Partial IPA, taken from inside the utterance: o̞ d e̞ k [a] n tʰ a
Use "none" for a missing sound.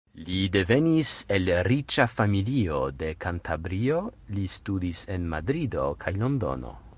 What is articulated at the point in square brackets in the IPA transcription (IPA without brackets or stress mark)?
a